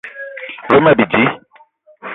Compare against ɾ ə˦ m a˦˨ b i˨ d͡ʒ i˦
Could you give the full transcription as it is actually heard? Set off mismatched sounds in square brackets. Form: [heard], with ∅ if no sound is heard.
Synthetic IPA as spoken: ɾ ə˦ m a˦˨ b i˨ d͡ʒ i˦